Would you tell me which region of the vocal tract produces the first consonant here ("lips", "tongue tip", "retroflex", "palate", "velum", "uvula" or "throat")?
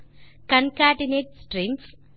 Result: velum